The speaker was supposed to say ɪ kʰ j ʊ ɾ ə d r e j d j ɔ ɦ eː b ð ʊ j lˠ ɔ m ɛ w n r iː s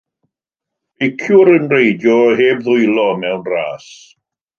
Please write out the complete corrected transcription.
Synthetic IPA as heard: ɪ kʰ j ʊ ɾ ə n r e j d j ɔ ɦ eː b ð ʊ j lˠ ɔ m ɛ w n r aː s

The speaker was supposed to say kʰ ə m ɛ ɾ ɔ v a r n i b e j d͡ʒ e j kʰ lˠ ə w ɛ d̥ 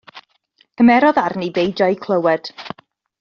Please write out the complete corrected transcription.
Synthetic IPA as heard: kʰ ə m ɛ ɾ ɔ ð a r n i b e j d͡ʒ a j kʰ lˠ ə w ɛ d̥

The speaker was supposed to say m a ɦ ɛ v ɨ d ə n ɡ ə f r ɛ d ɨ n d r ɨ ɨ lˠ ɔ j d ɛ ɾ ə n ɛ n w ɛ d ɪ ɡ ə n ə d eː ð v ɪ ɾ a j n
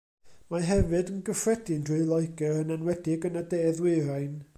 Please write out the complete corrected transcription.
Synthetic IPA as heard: m a ɦ ɛ v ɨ d ə n ɡ ə f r ɛ d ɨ n d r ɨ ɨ lˠ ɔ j ɡ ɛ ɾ ə n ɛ n w ɛ d ɪ ɡ ə n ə d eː ð w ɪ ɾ a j n

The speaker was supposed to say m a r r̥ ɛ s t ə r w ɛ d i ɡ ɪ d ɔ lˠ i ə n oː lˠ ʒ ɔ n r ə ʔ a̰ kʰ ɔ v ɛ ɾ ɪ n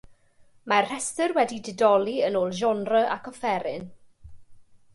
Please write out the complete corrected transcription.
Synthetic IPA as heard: m a r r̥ ɛ s t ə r w ɛ d i d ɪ d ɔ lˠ i ə n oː lˠ ʒ ɔ n r ə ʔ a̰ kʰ ɔ f ɛ ɾ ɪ n

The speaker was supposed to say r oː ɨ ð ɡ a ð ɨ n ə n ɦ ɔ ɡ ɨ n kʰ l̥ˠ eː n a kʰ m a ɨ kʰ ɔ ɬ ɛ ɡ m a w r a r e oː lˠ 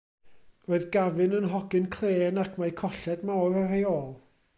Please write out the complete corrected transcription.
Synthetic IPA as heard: r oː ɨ ð ɡ a v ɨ n ə n ɦ ɔ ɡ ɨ n kʰ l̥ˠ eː n a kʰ m a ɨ kʰ ɔ ɬ ɛ d m a w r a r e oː lˠ

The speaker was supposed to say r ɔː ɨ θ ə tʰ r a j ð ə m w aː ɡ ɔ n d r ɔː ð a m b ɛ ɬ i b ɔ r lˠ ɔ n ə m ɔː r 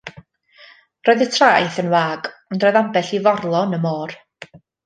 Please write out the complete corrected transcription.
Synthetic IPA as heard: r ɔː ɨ ð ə tʰ r a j θ ə n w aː ɡ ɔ n d r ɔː ð a m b ɛ ɬ i v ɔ r lˠ ɔ n ə m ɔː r

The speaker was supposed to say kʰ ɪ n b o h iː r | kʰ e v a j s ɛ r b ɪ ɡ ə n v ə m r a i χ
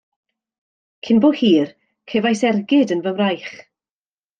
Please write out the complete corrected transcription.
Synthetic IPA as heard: kʰ ɪ n b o h iː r | kʰ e v a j s ɛ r ɡ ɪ d ə n v ə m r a j χ

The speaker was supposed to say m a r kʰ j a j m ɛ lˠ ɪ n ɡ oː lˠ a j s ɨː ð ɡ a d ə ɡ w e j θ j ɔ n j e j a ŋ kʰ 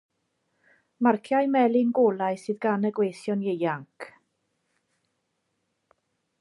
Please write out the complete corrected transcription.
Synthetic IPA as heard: m a r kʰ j a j m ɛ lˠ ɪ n ɡ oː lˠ a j s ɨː ð ɡ a n ə ɡ w e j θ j ɔ n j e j a ŋ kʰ

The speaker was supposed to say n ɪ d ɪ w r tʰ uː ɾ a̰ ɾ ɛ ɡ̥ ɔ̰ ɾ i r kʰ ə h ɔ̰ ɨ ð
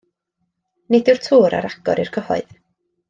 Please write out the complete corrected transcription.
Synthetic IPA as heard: n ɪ d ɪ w r tʰ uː ɾ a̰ ɾ a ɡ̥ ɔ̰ ɾ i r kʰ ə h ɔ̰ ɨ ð

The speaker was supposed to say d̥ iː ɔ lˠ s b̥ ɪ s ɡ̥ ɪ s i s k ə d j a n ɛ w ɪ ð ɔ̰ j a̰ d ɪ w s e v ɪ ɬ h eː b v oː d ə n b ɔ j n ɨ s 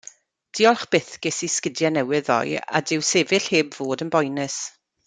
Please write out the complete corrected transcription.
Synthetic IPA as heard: d̥ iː ɔ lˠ χ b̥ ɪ θ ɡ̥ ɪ s i s k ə d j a n ɛ w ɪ ð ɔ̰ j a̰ d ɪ w s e v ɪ ɬ h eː b v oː d ə n b ɔ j n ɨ s

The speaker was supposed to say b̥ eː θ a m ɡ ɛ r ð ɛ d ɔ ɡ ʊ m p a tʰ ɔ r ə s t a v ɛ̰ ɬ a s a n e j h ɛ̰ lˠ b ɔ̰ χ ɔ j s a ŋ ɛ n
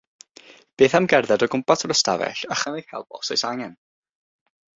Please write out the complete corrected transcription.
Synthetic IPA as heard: b̥ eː θ a m ɡ ɛ r ð ɛ d ɔ ɡ ʊ m p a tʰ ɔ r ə s t a v ɛ̰ ɬ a χ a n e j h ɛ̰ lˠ b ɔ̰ s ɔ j s a ŋ ɛ n

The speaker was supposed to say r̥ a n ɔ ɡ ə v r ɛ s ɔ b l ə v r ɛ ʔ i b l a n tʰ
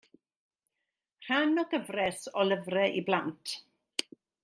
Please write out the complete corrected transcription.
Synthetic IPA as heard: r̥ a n ɔ ɡ ə v r ɛ s ɔ l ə v r ɛ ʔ i b l a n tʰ

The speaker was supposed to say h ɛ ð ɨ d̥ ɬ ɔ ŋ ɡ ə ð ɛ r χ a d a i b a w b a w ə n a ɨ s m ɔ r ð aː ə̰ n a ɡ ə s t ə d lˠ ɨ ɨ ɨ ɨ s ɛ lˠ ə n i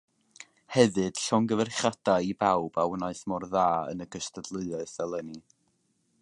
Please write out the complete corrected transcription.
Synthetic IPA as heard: h ɛ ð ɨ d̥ ɬ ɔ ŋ ɡ ə v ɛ r χ a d a i b a w b a w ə n a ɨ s m ɔ r ð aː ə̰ n ə ɡ ə s t ə d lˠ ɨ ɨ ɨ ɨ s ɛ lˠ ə n i

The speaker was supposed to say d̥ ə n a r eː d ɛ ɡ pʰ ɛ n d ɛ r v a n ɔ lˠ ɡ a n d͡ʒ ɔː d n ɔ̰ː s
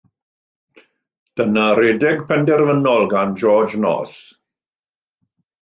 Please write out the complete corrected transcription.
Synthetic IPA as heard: d̥ ə n a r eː d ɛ ɡ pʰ ɛ n d ɛ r v ə n ɔ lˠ ɡ a n d͡ʒ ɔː d͡ʒ n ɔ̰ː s

